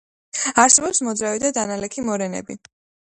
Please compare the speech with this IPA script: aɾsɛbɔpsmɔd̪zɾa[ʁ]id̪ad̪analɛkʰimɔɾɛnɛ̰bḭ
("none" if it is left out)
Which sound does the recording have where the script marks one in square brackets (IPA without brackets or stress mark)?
v